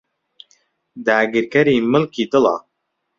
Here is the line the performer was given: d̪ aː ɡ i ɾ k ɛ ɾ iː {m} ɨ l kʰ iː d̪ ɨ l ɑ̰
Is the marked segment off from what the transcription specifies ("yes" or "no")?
no